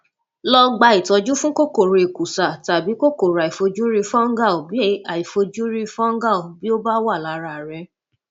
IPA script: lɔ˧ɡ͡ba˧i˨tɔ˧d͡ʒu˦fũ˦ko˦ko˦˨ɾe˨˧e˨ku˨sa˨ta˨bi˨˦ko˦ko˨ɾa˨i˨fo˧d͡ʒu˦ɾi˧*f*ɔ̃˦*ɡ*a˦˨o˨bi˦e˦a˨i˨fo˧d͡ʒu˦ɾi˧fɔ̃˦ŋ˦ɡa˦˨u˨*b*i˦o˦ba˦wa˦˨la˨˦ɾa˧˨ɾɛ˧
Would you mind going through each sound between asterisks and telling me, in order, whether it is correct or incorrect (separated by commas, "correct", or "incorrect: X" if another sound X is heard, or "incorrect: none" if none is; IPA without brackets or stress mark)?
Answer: correct, correct, correct